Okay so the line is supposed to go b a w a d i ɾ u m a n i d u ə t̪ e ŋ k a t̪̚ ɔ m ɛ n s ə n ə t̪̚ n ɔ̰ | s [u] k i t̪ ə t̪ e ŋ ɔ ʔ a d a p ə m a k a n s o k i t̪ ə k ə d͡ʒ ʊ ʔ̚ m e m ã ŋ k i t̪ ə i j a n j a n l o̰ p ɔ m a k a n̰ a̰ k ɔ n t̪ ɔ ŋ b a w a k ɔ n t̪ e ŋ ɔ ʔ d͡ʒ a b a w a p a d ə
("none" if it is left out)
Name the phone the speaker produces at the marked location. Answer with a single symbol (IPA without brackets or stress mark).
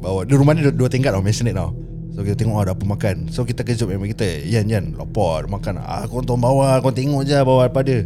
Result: o